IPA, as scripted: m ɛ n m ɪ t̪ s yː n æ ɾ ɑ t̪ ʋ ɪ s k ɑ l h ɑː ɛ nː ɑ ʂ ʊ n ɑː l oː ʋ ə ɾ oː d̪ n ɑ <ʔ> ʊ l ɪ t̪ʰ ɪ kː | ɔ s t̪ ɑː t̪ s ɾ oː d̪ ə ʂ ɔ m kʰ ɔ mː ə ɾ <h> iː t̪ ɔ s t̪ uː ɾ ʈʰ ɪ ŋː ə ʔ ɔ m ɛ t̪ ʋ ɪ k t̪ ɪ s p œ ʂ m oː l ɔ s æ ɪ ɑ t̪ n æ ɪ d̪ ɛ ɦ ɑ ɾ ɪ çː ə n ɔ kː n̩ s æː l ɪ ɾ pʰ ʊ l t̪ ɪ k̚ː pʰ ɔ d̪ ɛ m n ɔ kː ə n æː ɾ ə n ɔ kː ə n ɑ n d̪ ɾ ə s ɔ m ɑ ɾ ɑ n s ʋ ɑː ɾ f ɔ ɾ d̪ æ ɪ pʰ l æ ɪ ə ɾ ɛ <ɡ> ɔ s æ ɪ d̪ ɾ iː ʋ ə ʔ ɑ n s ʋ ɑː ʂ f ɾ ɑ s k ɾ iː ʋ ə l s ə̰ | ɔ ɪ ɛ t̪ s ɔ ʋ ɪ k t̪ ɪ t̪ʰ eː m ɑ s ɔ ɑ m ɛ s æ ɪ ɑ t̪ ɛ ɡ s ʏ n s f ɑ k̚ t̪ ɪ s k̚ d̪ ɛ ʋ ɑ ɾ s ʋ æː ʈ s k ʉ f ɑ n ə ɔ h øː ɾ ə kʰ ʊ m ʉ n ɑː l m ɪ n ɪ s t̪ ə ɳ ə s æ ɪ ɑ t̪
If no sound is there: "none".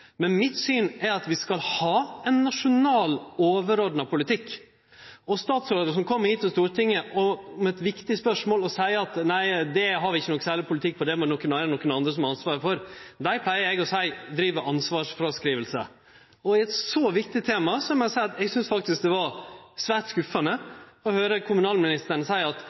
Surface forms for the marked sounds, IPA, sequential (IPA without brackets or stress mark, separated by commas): p, h, ɡ